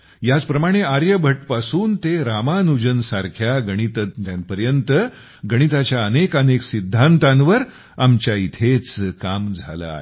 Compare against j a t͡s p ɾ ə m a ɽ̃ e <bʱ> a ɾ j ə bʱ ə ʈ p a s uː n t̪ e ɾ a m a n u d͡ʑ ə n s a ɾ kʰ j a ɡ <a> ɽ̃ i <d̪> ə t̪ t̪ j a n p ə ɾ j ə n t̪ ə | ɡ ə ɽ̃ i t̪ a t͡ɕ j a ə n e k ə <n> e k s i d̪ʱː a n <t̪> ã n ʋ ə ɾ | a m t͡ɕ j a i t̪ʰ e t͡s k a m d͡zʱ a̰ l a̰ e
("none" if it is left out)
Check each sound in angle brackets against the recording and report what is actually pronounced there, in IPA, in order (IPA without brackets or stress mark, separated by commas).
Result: none, ə, t̪, n, t̪